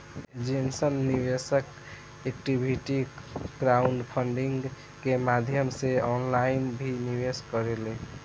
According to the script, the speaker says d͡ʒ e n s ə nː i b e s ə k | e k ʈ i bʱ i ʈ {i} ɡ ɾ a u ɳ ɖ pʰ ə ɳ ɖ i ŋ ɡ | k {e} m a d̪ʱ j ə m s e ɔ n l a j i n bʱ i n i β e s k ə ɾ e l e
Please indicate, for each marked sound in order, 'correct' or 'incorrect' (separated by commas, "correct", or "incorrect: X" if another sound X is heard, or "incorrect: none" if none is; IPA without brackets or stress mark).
correct, correct